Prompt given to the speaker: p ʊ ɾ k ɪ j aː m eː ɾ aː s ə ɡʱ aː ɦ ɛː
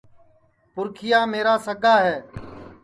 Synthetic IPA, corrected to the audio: p ʊ ɾ kʰ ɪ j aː m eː ɾ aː s ə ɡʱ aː ɦ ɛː